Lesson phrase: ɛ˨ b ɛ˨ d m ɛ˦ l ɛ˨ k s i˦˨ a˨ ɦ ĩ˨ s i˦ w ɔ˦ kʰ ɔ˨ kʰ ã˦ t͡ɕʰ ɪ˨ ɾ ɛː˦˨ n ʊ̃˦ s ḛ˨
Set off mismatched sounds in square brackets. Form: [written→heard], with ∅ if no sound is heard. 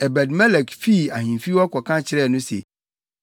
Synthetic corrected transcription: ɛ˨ b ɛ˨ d m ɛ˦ l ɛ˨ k [s→f] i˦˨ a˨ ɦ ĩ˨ [s→f] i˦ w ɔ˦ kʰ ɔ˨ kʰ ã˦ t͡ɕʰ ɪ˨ ɾ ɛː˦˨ n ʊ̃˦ s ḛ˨